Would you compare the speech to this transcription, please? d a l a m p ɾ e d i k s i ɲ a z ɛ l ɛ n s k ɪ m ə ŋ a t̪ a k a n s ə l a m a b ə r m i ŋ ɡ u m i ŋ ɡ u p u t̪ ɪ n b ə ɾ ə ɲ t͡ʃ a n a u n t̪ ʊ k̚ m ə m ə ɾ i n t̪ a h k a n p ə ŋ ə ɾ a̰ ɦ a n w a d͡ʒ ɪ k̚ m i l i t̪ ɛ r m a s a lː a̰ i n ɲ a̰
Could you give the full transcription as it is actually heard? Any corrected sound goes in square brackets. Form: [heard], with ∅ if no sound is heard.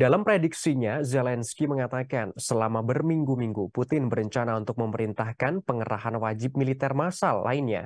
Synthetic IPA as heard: d a l a m p ɾ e d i k s i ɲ a z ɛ l ɛ n s k [i] m ə ŋ a t̪ a k a n s ə l a m a b ə r m i ŋ ɡ u m i ŋ ɡ u p u t̪ ɪ n b ə ɾ ə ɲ t͡ʃ a n a u n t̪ ʊ k̚ m ə m ə ɾ i n t̪ a h k a n p ə ŋ ə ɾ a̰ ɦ a n w a d͡ʒ ɪ [p̚] m i l i t̪ ɛ r m a s a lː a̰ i n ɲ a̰